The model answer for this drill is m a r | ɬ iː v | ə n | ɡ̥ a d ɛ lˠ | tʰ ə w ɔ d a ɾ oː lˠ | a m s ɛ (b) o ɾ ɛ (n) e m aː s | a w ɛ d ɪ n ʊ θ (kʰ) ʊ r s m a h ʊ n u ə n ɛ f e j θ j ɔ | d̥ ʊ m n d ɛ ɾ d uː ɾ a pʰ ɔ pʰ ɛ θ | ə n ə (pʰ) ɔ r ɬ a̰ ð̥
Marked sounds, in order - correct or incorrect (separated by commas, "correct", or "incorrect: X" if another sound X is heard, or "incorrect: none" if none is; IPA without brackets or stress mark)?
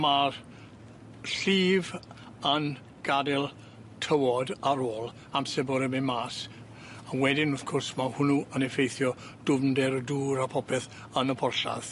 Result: correct, incorrect: m, correct, correct